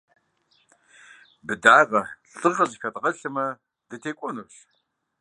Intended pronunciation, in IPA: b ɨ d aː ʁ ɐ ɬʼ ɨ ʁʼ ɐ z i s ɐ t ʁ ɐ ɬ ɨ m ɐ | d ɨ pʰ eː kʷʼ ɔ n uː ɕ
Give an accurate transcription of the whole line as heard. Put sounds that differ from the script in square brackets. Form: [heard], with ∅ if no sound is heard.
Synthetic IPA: b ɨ d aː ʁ ɐ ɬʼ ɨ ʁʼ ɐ z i [x] ɐ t ʁ ɐ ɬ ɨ m ɐ | d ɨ [tʰ] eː kʷʼ ɔ n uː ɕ